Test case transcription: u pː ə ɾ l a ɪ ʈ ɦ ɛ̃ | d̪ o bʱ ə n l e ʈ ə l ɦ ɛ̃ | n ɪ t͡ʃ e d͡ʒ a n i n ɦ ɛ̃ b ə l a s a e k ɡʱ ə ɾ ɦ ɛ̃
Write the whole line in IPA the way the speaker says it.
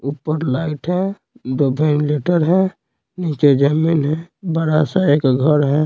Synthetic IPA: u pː ə ɾ l a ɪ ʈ ɦ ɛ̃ | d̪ o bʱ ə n l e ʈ ə ɾ ɦ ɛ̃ | n i t͡ʃ e d͡ʒ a m i n ɦ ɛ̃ b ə ɾ a s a e k ɡʱ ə ɾ ɦ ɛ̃